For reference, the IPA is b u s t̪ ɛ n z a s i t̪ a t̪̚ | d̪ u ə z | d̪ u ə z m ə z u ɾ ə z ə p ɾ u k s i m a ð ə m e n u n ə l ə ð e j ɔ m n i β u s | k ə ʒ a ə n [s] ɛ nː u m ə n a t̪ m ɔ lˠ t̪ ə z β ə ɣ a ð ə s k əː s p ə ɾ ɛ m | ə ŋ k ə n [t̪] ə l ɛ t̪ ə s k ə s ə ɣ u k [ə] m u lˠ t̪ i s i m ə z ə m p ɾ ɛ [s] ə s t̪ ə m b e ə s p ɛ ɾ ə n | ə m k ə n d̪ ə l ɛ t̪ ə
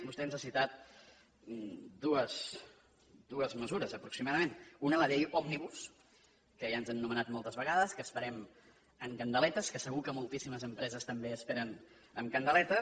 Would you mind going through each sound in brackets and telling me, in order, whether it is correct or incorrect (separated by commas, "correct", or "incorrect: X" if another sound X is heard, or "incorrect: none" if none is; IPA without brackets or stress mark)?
incorrect: z, incorrect: d̪, correct, incorrect: z